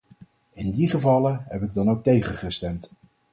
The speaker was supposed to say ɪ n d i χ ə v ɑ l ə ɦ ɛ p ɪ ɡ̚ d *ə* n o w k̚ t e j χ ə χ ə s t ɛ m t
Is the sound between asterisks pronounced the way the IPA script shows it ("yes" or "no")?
no